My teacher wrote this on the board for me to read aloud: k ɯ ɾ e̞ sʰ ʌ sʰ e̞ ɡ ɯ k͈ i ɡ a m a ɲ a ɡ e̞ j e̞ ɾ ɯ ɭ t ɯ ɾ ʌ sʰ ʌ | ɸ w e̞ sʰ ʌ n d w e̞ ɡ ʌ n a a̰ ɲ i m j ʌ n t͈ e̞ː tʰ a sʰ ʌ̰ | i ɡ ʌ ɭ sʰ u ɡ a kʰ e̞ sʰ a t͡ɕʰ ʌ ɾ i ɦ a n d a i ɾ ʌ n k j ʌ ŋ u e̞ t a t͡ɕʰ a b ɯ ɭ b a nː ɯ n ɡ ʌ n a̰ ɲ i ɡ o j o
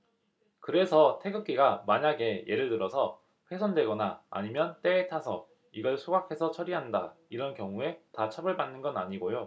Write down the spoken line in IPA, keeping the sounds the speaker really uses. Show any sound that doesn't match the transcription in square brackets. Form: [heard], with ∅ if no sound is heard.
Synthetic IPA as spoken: k ɯ ɾ e̞ sʰ ʌ [tʰ] e̞ ɡ ɯ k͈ i ɡ a m a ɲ a ɡ e̞ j e̞ ɾ ɯ ɭ t ɯ ɾ ʌ sʰ ʌ | ɸ w e̞ sʰ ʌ n d w e̞ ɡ ʌ n a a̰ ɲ i m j ʌ n t͈ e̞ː tʰ a sʰ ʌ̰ | i ɡ ʌ ɭ sʰ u ɡ a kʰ e̞ sʰ [ʌ] t͡ɕʰ ʌ ɾ i ɦ a n d a i ɾ ʌ n k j ʌ ŋ u e̞ t a t͡ɕʰ a b ɯ ɭ b a nː ɯ n ɡ ʌ n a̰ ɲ i ɡ o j o